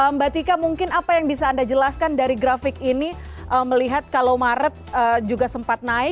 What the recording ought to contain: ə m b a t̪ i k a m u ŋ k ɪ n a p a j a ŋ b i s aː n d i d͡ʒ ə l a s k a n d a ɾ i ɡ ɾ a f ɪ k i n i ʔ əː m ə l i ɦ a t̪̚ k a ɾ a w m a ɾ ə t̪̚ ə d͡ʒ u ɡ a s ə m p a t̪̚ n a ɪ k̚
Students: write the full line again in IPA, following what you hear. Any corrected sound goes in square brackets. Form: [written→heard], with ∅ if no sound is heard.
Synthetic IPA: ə m b a t̪ i k a m u ŋ k ɪ n a p a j a ŋ b i s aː n d [i→a] d͡ʒ ə l a s k a n d a ɾ i ɡ ɾ a f ɪ k i n i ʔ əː m ə l i ɦ a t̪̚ k a [ɾ→l] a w m a ɾ ə t̪̚ ə d͡ʒ u ɡ a s ə m p a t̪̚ n a ɪ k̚